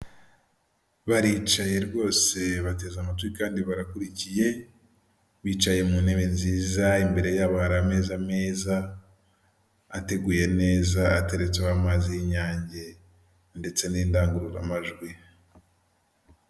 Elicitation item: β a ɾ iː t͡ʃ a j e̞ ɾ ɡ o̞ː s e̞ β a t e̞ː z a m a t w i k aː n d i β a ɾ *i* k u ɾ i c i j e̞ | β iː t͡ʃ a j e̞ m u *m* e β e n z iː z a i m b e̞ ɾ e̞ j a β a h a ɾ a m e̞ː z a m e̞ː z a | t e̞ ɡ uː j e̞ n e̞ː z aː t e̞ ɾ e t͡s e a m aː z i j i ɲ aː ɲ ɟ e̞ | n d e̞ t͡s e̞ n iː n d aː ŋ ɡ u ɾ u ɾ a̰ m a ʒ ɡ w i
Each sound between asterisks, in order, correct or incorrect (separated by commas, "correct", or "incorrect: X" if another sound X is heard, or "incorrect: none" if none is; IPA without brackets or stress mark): incorrect: a, incorrect: n